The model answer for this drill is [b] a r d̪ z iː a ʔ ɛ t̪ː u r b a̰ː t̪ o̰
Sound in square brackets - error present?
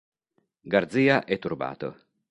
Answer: yes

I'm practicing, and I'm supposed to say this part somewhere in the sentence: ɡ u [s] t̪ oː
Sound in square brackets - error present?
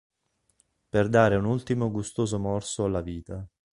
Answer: no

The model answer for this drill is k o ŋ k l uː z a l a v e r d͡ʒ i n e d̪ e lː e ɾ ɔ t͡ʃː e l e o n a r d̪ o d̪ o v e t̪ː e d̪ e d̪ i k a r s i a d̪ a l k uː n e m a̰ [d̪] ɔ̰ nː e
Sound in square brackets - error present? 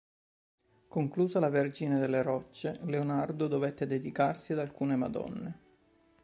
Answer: no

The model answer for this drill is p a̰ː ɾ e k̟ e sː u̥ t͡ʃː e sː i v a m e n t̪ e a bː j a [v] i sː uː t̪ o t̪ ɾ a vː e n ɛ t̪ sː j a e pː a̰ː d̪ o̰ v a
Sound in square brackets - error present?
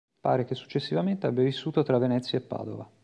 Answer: no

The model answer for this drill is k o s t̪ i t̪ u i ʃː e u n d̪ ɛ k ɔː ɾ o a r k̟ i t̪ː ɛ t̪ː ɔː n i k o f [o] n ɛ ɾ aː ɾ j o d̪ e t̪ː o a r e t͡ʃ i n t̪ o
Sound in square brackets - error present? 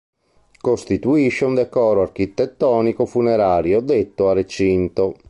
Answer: yes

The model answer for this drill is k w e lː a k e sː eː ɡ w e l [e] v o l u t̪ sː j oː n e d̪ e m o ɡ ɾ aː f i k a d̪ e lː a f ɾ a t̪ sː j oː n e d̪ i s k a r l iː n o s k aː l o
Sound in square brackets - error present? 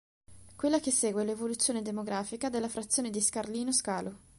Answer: no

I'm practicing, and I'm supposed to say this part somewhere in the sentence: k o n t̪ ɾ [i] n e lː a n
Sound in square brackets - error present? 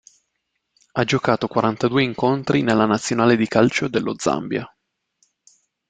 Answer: no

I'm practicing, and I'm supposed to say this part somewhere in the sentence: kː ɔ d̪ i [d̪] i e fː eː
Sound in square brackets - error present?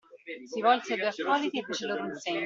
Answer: yes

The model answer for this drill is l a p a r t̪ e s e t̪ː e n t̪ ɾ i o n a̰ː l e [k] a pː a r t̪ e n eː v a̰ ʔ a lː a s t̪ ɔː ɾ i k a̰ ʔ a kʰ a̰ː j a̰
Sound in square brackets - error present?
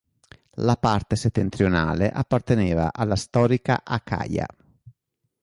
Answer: yes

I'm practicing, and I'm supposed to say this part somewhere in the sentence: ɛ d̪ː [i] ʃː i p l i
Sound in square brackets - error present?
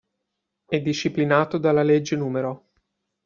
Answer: no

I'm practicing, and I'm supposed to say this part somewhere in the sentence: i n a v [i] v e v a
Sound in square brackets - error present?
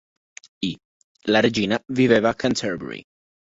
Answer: no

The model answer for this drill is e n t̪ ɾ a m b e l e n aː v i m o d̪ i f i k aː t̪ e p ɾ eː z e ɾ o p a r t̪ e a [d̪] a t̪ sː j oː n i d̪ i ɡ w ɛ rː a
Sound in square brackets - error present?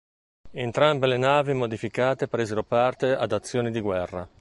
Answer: no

